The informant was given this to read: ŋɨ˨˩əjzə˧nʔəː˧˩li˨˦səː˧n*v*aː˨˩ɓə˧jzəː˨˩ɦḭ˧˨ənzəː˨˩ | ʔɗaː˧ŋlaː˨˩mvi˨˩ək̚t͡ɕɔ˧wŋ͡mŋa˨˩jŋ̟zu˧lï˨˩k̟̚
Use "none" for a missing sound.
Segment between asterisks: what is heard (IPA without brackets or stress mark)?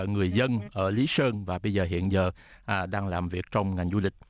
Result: v